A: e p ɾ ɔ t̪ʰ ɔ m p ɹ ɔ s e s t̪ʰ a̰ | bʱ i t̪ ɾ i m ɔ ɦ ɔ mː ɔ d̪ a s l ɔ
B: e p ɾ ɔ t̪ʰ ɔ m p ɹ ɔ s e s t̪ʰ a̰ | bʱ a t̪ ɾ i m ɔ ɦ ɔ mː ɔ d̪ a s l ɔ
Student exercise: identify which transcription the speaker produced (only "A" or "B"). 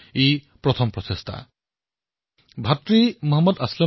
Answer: B